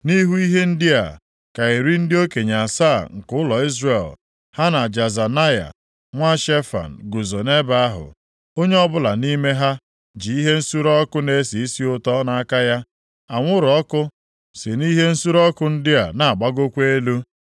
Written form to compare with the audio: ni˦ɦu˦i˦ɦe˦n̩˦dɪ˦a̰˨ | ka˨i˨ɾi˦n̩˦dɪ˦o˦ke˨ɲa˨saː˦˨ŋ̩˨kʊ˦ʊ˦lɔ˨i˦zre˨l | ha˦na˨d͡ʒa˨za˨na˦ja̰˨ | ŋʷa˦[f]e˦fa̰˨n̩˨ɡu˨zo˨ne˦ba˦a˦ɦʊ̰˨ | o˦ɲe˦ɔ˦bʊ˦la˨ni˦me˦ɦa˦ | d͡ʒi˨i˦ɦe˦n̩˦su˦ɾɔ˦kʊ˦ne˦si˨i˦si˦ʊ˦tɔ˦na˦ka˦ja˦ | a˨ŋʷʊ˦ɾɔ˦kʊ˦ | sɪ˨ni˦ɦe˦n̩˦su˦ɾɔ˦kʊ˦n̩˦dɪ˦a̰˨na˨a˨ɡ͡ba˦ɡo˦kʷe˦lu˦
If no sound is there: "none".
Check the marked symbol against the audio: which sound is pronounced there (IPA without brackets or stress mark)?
ʃ